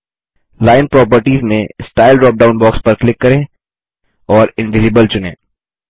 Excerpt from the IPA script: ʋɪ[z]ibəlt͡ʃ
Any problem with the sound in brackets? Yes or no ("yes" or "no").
no